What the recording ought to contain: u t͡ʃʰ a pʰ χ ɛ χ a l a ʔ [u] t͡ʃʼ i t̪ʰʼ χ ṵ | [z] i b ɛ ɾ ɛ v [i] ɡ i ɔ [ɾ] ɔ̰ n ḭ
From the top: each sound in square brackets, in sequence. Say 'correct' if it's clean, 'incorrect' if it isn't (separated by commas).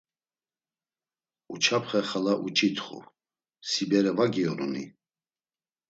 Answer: correct, incorrect, incorrect, correct